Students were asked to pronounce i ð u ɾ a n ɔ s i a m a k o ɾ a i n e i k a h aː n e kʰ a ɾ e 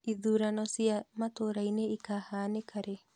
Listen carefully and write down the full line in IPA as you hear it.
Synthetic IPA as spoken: i ð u ɾ a n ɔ s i a m a t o ɾ a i n e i k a h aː n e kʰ a ɾ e

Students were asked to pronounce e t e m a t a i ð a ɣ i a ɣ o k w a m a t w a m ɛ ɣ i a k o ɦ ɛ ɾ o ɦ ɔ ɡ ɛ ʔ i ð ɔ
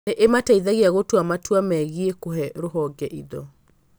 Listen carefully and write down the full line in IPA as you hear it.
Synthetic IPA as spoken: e ʔ e m a t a i ð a ɣ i a ɣ o t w a m a t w a m ɛ ɣ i e k o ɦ ɛ ɾ o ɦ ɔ ɡ ɛ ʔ i ð ɔ

